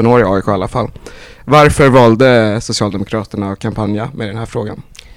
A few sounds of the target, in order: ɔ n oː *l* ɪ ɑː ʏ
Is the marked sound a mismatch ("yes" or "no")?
yes